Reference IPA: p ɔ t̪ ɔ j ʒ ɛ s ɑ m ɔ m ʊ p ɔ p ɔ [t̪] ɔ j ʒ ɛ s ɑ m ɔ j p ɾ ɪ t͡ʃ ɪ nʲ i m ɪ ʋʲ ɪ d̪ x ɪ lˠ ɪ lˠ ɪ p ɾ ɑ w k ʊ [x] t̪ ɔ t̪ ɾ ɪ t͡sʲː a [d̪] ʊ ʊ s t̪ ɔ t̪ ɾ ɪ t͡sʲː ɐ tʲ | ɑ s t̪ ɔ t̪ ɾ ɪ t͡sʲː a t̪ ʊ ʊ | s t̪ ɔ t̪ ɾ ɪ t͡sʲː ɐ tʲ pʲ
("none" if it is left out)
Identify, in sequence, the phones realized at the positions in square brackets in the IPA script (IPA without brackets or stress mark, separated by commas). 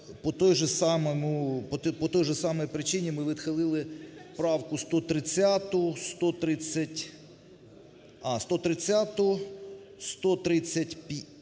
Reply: t̪, s, t̪